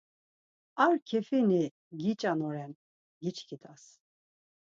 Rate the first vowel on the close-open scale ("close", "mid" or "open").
open